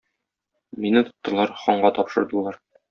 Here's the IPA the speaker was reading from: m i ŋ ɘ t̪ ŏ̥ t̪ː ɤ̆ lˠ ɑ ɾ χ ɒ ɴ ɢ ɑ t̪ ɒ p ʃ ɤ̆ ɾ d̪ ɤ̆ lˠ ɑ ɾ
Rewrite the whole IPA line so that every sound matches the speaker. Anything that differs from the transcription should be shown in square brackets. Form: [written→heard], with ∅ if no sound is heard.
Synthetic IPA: m i [ŋ→n] ɘ t̪ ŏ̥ t̪ː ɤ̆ lˠ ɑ ɾ χ ɒ ɴ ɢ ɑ t̪ ɒ p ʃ ɤ̆ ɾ d̪ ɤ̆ lˠ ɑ ɾ